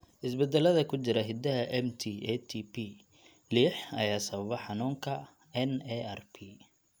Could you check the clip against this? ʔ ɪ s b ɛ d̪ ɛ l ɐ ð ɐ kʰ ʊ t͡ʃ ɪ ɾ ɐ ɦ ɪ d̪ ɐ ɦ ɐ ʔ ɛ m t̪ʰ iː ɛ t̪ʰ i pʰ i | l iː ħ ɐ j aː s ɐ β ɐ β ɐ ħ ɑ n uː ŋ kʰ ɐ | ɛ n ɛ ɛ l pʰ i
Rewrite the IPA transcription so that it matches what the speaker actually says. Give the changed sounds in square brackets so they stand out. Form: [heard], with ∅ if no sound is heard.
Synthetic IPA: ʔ ɪ s b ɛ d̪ ɛ l ɐ ð ɐ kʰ ʊ t͡ʃ ɪ ɾ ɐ ɦ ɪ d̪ ɐ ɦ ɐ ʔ ɛ m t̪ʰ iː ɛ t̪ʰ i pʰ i | l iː ħ ɐ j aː s ɐ β ɐ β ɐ ħ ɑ n uː ŋ kʰ ɐ | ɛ n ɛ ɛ [r] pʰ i